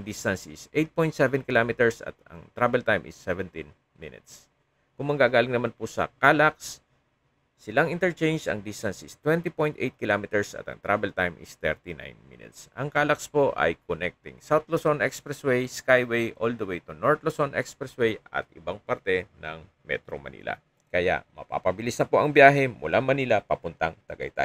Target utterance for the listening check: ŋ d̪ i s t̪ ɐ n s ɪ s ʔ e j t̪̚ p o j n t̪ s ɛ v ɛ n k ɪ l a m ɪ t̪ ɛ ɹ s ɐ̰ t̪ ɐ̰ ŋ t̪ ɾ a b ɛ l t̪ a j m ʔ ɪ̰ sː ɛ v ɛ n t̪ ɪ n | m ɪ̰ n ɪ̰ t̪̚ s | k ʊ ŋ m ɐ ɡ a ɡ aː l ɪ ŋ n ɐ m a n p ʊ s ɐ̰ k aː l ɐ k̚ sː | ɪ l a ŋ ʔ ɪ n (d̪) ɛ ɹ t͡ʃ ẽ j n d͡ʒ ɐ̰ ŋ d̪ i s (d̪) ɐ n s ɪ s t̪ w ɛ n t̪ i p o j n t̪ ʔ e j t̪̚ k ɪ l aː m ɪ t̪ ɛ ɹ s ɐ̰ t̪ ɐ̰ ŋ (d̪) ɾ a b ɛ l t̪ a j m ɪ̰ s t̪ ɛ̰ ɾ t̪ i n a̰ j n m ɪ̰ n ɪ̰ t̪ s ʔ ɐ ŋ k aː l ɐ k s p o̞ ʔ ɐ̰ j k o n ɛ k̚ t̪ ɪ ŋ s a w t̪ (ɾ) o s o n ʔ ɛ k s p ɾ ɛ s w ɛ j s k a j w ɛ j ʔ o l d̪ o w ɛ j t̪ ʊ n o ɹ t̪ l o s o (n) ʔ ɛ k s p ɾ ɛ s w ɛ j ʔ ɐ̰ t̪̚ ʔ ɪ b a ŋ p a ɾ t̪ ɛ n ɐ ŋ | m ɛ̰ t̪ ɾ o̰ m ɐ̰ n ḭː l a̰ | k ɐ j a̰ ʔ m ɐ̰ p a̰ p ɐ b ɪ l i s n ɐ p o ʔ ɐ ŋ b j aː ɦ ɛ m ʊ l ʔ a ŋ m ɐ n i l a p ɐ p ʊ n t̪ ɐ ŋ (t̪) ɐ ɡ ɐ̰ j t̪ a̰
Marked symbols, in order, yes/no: no, no, no, no, yes, yes

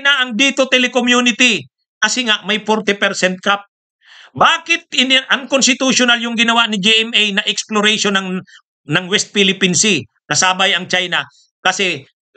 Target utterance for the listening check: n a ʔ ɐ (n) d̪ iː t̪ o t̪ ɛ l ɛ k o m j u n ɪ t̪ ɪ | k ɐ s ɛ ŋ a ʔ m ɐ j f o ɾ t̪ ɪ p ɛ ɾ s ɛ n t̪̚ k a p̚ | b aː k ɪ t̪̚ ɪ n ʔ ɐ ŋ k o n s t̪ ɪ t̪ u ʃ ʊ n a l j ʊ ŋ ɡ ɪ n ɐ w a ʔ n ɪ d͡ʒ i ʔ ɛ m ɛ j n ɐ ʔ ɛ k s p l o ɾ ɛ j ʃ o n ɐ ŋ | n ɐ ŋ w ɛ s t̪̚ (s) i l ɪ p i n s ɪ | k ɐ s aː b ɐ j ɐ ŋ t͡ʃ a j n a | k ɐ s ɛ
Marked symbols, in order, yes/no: no, no

